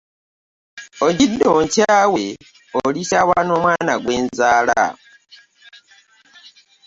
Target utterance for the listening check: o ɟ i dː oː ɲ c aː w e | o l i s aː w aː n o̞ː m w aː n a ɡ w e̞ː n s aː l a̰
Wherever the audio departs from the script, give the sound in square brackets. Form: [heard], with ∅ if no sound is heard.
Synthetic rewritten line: o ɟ i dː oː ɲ c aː w e | o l i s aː w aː n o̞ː m w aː n a ɡ w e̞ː n [z] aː l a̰

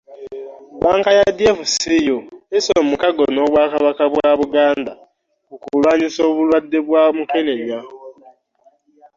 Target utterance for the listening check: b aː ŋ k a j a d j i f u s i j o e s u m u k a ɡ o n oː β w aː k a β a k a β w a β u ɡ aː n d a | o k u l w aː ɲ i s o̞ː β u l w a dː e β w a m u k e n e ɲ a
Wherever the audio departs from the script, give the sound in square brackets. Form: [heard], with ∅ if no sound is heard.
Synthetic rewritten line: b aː ŋ k a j a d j [e] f u s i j o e s [o] m u k a ɡ o n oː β w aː k a β a k a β w a β u ɡ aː n d a | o k u l w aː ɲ i s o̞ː β u l w a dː e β w a m u k e n e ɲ a

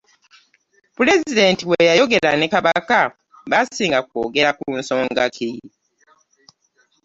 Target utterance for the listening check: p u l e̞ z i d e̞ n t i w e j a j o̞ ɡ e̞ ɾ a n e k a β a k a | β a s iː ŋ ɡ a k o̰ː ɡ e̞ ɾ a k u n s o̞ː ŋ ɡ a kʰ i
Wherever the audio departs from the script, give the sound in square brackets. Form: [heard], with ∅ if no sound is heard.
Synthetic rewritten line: p u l e̞ z i d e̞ n t i w e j a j o̞ ɡ e̞ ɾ a n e k a β a k a | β a s iː ŋ ɡ a k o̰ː ɡ e̞ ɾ a k u n s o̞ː ŋ ɡ a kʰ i

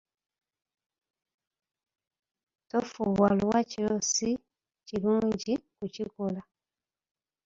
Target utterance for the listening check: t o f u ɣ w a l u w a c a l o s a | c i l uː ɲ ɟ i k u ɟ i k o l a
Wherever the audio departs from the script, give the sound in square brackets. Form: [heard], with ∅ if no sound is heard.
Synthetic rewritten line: t o f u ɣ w a l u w a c [i] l o s [i] | c i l uː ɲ ɟ i k u [c] i k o l a

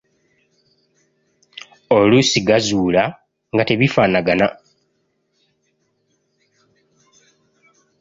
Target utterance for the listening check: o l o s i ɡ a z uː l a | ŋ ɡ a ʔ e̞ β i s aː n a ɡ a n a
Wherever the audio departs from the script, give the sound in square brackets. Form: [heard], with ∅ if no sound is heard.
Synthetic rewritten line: o l [u] s i ɡ a z uː l a | ŋ ɡ a [t] e̞ β i [f] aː n a ɡ a n a

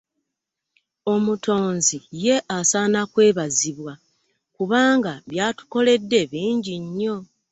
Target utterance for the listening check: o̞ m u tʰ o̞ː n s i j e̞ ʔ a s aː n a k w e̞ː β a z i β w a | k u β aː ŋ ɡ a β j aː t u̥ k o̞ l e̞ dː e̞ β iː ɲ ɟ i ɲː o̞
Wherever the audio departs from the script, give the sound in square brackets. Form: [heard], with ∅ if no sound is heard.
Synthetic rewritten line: o̞ m u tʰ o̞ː n [z] i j e̞ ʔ a s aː n a k w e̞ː β a z i β w a | k u β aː ŋ ɡ a β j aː t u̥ k o̞ l e̞ dː e̞ β iː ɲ ɟ i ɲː o̞

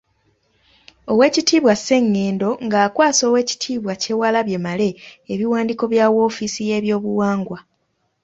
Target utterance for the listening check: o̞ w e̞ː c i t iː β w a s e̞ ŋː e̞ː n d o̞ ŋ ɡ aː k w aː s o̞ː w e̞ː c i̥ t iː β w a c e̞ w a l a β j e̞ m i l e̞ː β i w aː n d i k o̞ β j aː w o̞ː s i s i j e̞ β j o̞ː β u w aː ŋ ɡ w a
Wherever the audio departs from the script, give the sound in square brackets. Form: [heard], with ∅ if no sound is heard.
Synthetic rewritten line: o̞ w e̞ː c i t iː β w a s e̞ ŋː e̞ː n d o̞ ŋ ɡ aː k w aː s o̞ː w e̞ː c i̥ [tʰ] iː β w a c e̞ w a l a β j e̞ m [a] l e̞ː β i w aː n d i k o̞ β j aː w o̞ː [f] i s i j e̞ β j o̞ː β u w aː ŋ ɡ w a

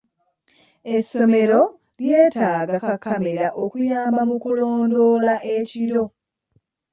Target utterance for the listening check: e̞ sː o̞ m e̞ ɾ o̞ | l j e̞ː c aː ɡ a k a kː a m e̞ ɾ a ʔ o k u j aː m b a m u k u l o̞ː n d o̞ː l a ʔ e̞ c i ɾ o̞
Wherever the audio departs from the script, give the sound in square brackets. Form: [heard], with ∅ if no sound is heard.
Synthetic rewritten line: e̞ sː o̞ m e̞ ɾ o̞ | l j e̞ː [t] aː ɡ a k a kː a m e̞ ɾ a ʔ o k u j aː m b a m u k u l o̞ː n d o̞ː l a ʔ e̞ c i ɾ o̞

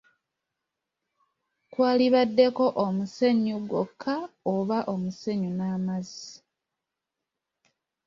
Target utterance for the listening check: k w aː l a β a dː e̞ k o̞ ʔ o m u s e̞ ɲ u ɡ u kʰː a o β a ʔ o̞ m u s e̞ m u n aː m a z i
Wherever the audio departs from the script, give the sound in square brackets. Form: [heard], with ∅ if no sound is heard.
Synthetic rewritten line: k w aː l [i] β a dː e̞ k o̞ ʔ o m u s e̞ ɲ u ɡ [o] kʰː a o β a ʔ o̞ m u s e̞ [ɲ] u n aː m a z i

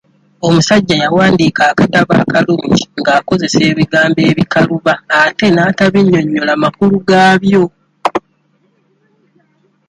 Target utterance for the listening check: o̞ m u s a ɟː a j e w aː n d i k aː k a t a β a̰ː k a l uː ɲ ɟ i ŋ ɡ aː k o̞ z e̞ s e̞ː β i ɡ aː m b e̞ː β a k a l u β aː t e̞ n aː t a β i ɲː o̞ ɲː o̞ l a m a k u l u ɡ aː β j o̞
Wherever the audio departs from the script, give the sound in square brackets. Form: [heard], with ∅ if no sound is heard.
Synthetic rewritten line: o̞ m u s a ɟː a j [a] w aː n d i k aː k a t a β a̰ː k a l uː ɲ ɟ i ŋ ɡ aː k o̞ z e̞ s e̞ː β i ɡ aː m b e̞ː β [i] k a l u β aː t e̞ n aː t a β i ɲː o̞ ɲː o̞ l a m a k u l u ɡ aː β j o̞

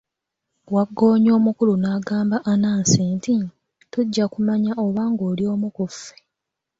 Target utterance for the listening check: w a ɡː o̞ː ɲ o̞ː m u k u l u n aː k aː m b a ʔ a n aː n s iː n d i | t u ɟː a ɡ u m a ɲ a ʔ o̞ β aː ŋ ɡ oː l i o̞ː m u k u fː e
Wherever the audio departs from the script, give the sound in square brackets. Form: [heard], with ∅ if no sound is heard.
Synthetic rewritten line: w a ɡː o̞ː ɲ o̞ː m u k u l u n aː [ɡ] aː m b a ʔ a n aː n s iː n [t] i | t u ɟː a [k] u m a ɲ a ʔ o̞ β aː ŋ ɡ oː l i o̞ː m u k u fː e

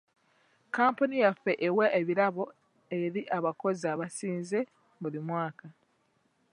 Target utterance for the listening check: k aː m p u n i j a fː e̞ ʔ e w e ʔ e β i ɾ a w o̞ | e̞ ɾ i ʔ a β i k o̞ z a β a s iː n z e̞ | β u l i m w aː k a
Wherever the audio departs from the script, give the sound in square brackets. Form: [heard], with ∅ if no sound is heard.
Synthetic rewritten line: k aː m p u n i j a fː e̞ ʔ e w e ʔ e β i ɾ a [β] o̞ | e̞ ɾ i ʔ a β [a] k o̞ z a β a s iː n z e̞ | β u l i m w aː k a

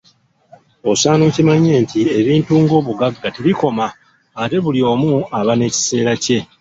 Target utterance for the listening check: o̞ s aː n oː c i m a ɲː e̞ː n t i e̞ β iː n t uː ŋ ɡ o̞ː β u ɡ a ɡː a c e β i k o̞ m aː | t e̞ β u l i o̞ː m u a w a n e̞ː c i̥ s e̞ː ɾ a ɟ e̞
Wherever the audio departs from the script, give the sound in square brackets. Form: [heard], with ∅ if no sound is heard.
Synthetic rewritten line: o̞ s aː n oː c i m a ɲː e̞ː n t i e̞ β iː n t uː ŋ ɡ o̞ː β u ɡ a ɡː a [t] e β i k o̞ m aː | t e̞ β u l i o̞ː m u a [β] a n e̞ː c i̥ s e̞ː ɾ a [c] e̞

